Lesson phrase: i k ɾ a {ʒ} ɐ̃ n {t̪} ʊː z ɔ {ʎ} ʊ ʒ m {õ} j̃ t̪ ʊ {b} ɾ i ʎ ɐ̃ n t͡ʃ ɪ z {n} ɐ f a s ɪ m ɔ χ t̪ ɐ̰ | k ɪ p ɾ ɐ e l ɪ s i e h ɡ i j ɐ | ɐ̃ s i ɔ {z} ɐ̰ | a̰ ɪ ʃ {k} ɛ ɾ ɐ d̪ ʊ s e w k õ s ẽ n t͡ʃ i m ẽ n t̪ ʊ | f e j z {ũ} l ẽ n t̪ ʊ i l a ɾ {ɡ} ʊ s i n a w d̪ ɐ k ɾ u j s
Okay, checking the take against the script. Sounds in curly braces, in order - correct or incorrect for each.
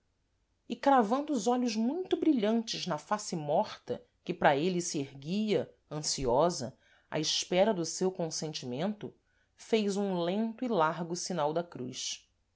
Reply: incorrect: v, incorrect: d̪, correct, incorrect: ũ, correct, correct, correct, incorrect: p, correct, correct

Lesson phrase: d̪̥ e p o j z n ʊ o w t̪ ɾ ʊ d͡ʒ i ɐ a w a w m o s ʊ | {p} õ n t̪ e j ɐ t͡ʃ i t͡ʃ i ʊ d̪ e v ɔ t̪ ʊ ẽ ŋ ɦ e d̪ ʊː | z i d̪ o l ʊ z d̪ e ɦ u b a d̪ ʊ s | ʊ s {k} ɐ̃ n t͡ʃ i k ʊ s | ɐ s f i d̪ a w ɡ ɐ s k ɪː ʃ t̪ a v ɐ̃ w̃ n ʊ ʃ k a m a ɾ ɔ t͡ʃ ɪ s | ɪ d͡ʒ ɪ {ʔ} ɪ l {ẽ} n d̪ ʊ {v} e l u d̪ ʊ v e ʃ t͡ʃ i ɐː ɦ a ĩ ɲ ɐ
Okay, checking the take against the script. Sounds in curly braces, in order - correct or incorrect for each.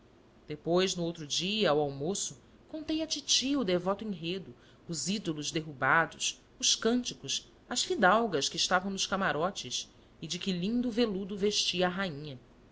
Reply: incorrect: k, correct, incorrect: k, incorrect: ĩ, correct

